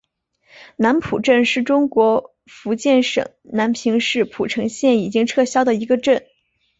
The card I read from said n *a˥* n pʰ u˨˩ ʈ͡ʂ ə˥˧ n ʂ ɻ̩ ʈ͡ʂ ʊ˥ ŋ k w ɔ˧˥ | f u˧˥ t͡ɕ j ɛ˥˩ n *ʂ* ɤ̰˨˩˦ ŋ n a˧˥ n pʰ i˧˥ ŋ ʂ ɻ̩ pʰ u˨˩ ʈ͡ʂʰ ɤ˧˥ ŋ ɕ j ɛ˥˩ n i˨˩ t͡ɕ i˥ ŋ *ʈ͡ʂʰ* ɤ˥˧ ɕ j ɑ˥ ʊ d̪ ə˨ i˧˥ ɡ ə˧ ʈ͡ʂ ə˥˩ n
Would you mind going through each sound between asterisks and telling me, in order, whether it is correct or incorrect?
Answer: incorrect: a˧˥, correct, correct

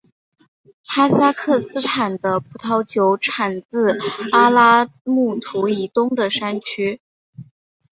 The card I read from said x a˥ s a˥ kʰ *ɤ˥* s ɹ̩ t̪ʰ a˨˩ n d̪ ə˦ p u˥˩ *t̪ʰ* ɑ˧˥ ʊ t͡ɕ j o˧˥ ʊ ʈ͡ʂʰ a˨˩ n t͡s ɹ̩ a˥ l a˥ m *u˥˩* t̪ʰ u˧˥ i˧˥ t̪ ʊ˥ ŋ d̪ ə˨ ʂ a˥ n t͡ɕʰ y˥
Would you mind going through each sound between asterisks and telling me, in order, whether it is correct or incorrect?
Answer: incorrect: ɤ˥˩, correct, correct

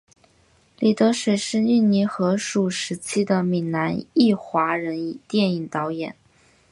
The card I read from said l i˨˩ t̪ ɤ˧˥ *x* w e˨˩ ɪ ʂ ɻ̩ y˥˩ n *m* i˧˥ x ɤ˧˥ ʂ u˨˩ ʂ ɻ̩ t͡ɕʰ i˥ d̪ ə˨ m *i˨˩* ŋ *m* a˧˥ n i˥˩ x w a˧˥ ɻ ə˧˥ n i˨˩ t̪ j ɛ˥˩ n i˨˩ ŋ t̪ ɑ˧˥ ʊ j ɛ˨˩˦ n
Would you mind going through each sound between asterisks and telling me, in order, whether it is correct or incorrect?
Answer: incorrect: ʂ, incorrect: n, correct, incorrect: n

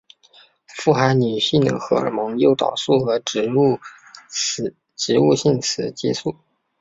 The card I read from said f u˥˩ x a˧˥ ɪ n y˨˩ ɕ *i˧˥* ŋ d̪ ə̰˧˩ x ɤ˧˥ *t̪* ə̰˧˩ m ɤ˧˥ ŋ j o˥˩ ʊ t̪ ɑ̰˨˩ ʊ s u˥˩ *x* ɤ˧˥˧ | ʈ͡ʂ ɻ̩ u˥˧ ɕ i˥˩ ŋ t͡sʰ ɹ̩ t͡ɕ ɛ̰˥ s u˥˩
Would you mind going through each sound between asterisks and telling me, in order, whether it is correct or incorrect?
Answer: incorrect: i˥˩, incorrect: none, correct

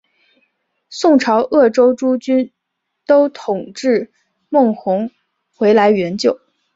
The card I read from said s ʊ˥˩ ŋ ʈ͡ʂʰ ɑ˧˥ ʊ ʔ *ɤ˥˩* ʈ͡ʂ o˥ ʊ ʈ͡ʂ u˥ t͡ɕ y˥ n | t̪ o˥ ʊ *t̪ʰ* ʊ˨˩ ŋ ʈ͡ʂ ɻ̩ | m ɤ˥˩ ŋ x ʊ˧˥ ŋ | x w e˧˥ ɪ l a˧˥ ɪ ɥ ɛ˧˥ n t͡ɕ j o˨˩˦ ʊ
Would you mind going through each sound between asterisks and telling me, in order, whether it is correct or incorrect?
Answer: correct, correct

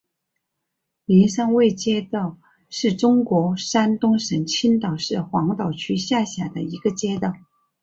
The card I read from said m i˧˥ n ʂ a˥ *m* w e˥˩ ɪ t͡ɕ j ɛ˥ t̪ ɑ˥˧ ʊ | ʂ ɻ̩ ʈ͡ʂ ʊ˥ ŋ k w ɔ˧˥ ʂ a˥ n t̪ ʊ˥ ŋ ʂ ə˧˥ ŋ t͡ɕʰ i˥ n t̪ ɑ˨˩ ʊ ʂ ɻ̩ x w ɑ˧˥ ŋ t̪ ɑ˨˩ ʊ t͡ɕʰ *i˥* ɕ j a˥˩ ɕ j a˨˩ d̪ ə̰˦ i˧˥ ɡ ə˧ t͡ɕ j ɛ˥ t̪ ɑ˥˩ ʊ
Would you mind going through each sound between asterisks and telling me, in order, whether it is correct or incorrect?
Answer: incorrect: ŋ, incorrect: y˥

